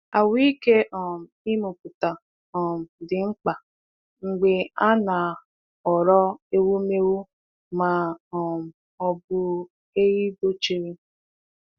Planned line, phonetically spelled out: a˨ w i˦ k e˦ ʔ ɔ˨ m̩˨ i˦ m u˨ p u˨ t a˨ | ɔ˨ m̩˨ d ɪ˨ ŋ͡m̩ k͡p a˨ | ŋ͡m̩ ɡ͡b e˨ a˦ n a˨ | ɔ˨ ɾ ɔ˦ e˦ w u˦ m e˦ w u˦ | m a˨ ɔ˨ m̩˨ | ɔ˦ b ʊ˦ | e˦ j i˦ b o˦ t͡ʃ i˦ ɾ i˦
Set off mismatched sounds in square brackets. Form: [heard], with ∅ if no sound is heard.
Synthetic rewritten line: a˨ w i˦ k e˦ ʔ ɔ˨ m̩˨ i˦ m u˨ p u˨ t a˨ | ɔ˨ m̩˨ d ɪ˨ ŋ͡m̩ k͡p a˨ | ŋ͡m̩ ɡ͡b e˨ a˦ n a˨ | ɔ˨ ɾ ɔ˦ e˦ w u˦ m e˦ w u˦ | m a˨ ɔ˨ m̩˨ | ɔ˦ b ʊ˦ | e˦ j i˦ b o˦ t͡ʃ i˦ ɾ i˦